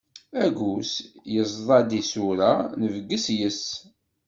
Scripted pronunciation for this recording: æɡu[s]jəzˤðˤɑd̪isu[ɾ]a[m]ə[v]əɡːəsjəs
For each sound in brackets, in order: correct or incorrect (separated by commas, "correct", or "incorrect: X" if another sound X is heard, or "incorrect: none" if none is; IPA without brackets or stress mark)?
correct, correct, incorrect: n, correct